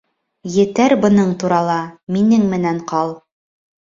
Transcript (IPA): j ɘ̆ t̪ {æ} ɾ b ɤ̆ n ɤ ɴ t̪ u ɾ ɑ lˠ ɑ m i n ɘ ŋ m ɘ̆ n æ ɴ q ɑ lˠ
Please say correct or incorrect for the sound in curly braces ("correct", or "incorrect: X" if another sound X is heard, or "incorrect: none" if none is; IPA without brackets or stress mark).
correct